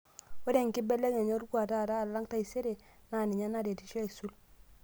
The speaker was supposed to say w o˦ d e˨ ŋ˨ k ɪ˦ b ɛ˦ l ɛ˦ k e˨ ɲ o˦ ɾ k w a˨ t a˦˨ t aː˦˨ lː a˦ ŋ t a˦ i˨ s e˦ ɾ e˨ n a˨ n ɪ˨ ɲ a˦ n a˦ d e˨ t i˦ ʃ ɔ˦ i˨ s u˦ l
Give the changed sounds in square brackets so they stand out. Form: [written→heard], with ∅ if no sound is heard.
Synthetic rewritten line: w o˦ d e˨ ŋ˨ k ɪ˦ b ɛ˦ l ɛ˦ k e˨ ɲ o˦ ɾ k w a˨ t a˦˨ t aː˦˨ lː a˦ ŋ t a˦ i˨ s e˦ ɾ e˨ n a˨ n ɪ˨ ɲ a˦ n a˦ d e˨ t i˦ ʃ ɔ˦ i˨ s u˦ l